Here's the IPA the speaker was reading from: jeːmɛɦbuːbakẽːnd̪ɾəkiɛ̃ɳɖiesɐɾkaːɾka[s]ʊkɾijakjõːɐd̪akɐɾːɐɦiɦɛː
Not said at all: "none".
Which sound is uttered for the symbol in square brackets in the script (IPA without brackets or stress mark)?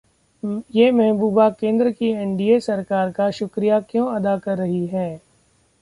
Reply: ʃ